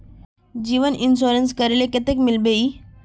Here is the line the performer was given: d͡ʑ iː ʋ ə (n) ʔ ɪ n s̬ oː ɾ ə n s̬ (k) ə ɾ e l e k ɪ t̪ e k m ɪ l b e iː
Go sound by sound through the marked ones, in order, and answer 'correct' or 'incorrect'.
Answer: correct, correct

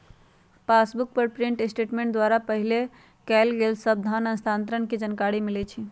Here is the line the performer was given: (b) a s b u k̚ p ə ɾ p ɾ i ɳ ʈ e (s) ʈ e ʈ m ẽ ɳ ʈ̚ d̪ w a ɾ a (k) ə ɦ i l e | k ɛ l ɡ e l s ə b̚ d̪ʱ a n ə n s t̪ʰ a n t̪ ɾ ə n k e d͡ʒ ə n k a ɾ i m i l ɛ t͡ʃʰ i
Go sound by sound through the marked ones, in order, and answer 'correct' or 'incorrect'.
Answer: incorrect: p, correct, incorrect: p

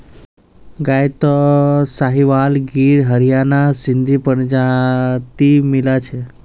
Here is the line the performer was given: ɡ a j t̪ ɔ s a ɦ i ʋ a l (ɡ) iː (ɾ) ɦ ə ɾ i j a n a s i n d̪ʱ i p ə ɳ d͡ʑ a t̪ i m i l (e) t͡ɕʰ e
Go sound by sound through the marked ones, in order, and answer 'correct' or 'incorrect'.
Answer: correct, correct, incorrect: a

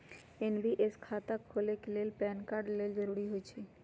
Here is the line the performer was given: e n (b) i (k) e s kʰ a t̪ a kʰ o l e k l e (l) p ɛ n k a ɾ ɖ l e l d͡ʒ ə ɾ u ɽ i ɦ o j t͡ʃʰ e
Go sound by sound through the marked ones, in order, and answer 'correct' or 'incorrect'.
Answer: correct, incorrect: ʔ, correct

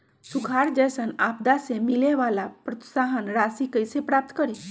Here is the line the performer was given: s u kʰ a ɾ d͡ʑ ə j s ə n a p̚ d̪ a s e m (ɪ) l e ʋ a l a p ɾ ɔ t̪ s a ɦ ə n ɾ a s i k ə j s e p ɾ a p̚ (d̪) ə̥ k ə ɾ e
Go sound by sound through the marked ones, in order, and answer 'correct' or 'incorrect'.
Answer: incorrect: i, incorrect: t̪

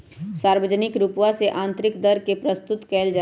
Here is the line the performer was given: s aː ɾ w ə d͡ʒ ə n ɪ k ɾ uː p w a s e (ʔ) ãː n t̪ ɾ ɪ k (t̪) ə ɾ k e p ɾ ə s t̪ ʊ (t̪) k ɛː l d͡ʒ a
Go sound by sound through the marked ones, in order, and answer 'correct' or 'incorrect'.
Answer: correct, incorrect: d̪, correct

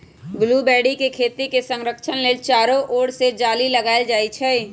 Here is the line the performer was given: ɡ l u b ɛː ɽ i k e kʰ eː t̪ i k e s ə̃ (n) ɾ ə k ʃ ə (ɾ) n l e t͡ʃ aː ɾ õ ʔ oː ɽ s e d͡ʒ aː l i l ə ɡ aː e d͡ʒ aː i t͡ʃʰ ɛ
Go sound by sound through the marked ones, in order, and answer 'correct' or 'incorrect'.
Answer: incorrect: ŋ, incorrect: none

